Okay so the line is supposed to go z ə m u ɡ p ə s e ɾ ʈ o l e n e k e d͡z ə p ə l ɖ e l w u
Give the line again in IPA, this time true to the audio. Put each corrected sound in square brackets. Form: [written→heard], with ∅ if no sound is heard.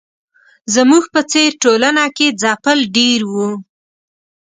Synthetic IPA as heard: z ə m u ɡ p ə [s→t͡s] e ɾ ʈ o l [e→a] n [e→a] k e d͡z [ə→ɑ] p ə l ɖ e [l→ɾ] w u